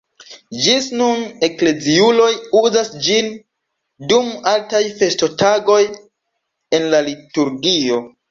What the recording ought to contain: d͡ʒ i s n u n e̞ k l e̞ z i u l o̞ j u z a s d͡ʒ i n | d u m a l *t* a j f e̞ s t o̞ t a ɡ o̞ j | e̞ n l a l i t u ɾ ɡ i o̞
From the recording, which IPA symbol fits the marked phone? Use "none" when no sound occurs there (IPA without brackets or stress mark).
t